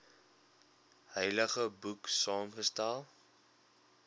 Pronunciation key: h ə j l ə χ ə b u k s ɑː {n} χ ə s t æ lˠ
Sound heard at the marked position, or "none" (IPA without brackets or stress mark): m